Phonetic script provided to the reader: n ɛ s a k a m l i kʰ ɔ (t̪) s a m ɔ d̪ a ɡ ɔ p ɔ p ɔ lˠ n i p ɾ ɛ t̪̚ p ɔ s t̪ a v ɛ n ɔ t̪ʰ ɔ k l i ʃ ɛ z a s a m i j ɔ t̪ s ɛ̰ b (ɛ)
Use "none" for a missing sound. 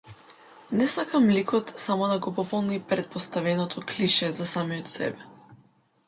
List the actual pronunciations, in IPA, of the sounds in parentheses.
t̪, ɛ

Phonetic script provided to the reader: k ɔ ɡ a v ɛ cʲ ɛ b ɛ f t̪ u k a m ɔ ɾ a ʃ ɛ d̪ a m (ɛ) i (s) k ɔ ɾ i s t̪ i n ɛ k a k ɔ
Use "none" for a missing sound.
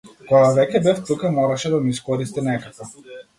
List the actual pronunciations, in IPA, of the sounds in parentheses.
i, s

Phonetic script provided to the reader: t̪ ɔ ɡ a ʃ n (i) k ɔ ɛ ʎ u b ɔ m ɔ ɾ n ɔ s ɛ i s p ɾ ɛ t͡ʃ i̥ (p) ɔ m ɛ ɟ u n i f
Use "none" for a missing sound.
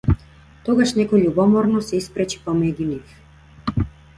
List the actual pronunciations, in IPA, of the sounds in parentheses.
ɛ, p

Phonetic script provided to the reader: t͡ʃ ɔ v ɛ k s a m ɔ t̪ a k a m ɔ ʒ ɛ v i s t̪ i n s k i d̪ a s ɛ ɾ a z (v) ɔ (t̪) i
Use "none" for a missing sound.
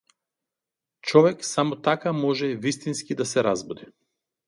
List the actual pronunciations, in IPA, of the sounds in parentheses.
b, d̪

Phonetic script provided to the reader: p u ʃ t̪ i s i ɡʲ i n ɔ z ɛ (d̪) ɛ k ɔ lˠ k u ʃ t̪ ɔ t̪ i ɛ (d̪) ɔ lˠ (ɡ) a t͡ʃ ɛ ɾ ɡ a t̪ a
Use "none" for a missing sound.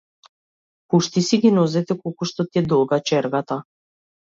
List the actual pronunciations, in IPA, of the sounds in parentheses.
t̪, d̪, ɡ

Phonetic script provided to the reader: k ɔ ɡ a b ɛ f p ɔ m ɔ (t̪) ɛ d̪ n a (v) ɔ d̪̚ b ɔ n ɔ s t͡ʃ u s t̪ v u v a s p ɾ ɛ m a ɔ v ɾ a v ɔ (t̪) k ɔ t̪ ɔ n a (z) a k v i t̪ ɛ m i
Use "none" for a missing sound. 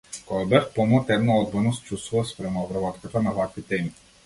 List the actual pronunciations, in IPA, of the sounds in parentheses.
t̪, none, t̪, v

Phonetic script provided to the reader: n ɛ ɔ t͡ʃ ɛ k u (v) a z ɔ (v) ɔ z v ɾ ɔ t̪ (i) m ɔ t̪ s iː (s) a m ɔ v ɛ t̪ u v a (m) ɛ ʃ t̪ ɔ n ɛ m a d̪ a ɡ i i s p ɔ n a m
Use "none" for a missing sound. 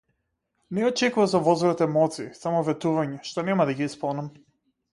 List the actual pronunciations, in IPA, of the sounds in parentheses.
v, v, ɛ, s, ɲ

